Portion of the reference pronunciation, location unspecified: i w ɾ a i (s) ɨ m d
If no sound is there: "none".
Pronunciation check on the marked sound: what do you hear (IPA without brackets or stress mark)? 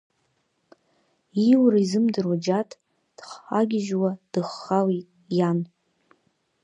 z